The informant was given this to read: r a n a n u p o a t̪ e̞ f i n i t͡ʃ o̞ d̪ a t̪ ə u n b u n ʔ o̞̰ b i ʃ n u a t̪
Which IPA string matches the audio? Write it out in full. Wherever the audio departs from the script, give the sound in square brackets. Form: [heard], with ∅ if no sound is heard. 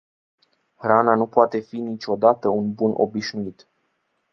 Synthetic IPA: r a n a n u p o a t̪ e̞ f i n i t͡ʃ o̞ d̪ a t̪ ə u n b u n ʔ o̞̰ b i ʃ n u [i] t̪